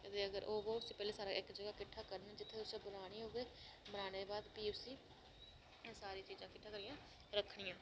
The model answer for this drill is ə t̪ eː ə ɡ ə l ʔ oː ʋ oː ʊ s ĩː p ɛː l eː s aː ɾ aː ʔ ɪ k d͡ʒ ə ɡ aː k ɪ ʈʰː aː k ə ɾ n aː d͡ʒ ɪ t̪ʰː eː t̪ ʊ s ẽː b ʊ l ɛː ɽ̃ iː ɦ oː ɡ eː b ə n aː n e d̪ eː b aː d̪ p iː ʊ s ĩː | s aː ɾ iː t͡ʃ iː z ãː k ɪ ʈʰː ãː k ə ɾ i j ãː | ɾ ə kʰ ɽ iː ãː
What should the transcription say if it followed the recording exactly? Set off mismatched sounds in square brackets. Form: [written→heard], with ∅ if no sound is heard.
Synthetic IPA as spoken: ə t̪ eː ə ɡ ə [l→ɾ] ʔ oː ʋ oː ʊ s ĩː p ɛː l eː s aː ɾ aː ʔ ɪ k d͡ʒ ə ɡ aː k ɪ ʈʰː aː k ə ɾ n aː d͡ʒ ɪ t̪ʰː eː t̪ ʊ s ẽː b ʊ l [ɛː→aː] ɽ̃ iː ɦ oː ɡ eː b ə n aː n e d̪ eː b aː d̪ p iː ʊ s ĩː | s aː ɾ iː t͡ʃ iː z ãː k ɪ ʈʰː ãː k ə ɾ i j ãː | ɾ ə kʰ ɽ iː ãː